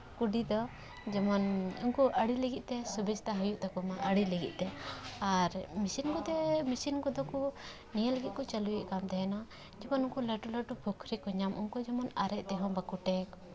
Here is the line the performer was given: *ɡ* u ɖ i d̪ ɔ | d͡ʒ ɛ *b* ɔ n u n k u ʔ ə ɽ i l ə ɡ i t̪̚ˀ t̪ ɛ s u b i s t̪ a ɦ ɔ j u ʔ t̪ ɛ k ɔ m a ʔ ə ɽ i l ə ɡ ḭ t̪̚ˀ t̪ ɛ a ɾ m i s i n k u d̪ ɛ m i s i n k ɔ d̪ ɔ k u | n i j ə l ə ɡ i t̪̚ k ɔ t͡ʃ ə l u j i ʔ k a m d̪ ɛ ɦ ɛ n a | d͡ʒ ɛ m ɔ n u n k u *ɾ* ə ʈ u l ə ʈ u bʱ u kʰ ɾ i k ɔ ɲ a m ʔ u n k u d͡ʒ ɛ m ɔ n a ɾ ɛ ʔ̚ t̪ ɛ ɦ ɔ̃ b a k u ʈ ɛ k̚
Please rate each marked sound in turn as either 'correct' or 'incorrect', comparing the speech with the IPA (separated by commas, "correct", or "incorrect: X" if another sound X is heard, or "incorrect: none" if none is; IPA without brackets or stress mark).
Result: incorrect: k, incorrect: m, incorrect: l